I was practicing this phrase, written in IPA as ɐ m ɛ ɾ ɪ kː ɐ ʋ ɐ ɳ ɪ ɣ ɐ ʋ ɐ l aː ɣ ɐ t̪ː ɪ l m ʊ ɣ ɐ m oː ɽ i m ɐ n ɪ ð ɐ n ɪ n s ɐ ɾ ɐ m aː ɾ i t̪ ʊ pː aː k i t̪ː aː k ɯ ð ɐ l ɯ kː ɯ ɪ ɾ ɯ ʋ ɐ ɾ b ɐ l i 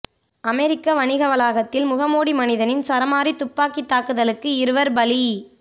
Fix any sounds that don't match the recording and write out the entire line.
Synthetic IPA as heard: ɐ m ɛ ɾ ɪ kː ɐ ʋ ɐ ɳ ɪ ɣ ɐ ʋ ɐ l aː ɣ ɐ t̪ː ɪ l m ʊ ɣ ɐ m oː ɽ i m ɐ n ɪ ð ɐ n ɪ n s ɐ ɾ ɐ m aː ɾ i t̪ ʊ pː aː k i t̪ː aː k ɯ ð ɐ l ɯ kː ɯ ɪ ɾ ɯ ʋ ɐ ɾ b ɐ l i